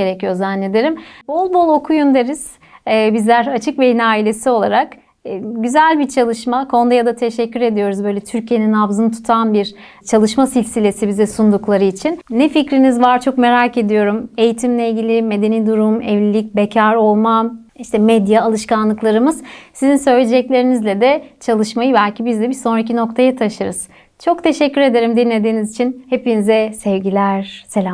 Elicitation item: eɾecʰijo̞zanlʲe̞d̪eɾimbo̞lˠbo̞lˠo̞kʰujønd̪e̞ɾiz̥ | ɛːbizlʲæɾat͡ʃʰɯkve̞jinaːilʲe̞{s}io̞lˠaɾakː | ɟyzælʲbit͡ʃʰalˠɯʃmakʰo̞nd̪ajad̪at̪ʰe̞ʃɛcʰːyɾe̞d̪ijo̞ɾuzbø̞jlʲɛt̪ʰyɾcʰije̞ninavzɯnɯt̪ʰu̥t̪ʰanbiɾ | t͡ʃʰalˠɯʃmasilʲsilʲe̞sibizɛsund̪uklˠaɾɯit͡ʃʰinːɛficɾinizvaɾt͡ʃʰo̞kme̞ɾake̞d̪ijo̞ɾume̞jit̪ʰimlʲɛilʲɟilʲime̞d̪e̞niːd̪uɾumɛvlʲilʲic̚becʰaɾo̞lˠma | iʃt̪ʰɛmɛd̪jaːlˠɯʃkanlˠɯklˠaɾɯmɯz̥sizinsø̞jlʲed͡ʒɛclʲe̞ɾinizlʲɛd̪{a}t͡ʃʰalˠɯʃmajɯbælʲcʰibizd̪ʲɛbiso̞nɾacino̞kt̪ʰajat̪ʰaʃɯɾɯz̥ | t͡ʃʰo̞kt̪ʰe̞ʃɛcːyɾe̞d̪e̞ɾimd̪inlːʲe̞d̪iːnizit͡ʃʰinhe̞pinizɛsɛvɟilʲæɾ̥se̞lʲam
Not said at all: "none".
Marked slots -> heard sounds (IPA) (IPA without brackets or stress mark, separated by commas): s, ɛ